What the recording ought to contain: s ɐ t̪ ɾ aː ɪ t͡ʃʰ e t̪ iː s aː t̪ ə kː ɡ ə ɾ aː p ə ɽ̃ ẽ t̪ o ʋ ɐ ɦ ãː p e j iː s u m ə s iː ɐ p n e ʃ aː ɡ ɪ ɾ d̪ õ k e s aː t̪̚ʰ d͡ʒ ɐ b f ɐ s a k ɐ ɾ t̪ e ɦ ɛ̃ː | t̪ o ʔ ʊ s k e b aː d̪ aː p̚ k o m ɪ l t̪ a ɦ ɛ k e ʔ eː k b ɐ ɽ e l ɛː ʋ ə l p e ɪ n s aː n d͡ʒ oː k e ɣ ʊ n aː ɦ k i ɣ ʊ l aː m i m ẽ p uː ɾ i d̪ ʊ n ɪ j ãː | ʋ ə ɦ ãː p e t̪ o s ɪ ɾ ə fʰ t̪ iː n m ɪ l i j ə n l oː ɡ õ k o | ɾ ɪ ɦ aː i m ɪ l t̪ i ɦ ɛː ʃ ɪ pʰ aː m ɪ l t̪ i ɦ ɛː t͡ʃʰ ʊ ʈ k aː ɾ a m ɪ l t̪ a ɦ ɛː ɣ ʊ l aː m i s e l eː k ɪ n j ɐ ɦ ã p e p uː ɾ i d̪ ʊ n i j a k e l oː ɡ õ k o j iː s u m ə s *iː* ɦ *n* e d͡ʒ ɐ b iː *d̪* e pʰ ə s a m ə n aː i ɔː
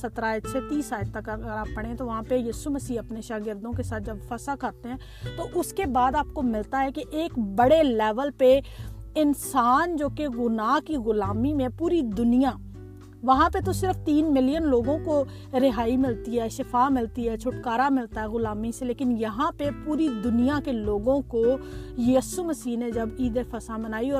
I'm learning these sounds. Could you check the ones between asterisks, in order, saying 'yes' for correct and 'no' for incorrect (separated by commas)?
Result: yes, yes, yes